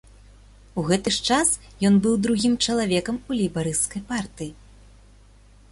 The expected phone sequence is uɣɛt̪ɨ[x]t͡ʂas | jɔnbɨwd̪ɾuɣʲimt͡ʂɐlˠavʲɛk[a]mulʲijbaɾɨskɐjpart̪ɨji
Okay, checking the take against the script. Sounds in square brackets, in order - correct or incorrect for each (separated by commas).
incorrect, incorrect